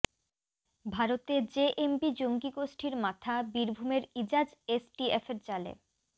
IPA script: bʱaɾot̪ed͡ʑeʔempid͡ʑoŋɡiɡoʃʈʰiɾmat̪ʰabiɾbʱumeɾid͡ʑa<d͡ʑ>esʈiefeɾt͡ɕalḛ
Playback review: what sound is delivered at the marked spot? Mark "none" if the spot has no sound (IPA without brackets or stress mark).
d͡ʑ